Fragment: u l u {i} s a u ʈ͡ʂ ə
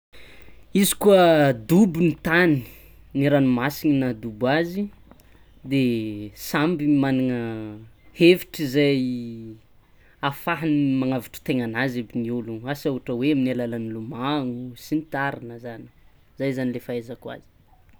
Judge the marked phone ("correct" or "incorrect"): incorrect